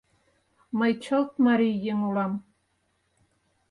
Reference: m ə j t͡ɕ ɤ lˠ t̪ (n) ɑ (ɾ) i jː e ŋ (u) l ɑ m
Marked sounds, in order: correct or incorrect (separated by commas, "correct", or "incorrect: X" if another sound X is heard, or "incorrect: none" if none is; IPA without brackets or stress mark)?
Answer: incorrect: m, correct, correct